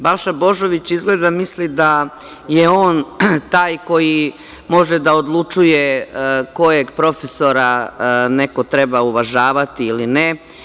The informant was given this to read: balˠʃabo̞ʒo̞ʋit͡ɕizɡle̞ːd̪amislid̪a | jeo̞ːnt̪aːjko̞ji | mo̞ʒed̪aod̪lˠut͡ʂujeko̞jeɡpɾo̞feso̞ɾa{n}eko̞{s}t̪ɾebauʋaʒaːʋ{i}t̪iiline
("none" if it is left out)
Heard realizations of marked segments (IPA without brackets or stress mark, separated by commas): n, none, a